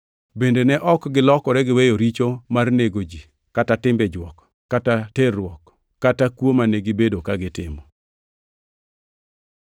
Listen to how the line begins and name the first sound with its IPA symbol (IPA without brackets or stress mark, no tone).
b